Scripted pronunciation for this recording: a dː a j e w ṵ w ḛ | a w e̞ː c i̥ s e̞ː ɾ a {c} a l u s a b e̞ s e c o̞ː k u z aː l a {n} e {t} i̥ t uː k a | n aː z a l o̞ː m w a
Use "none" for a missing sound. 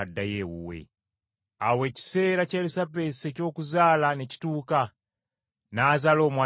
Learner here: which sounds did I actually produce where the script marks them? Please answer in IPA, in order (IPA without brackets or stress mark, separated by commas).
c, n, c